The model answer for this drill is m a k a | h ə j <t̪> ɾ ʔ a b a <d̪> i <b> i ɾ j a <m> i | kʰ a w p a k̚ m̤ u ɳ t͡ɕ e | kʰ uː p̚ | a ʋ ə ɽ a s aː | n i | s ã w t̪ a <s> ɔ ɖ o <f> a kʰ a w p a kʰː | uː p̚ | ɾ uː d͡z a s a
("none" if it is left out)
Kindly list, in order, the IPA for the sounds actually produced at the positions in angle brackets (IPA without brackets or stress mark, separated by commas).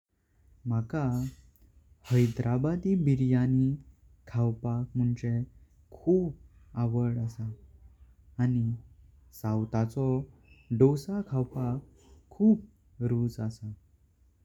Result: d̪, d̪, b, n, t͡s, s